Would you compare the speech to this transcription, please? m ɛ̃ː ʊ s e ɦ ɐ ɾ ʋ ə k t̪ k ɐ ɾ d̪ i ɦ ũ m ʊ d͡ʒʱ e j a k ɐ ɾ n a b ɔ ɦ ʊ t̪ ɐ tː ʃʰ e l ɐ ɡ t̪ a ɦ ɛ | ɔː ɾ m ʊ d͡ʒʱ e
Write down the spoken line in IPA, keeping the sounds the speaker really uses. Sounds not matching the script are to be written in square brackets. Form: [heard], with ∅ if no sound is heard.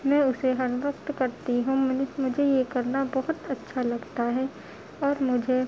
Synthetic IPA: m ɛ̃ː ʊ s e ɦ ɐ ɾ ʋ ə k t̪ k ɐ ɾ [t̪] i ɦ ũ m ʊ d͡ʒʱ e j [e] k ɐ ɾ n a b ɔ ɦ ʊ t̪ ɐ tː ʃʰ [a] l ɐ ɡ t̪ a ɦ ɛ | ɔː ɾ m ʊ d͡ʒʱ e